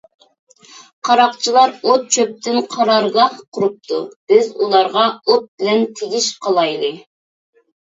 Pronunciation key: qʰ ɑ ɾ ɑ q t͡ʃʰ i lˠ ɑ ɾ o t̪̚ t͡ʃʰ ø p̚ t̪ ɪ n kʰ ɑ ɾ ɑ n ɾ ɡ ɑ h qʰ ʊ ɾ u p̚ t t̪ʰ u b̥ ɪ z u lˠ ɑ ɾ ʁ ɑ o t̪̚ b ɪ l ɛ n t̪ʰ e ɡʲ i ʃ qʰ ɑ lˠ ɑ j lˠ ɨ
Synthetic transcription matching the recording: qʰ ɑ ɾ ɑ q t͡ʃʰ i lˠ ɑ ɾ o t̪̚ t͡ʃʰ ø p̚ t̪ ɪ n qʰ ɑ ɾ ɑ ɾ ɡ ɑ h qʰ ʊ ɾ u p̚ t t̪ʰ u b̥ ɪ z u lˠ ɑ ɾ ʁ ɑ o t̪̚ b ɪ l ɛ n t̪ʰ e ɡʲ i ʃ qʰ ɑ lˠ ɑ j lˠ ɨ